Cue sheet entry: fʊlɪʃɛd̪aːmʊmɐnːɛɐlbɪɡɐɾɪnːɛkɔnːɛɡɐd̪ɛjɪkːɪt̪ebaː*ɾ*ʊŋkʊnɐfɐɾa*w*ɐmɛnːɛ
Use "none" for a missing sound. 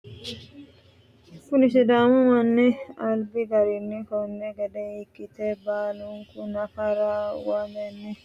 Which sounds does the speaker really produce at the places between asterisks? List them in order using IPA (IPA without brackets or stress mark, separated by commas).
l, w